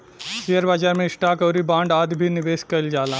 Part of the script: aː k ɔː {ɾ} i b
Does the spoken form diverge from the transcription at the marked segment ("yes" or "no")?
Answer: no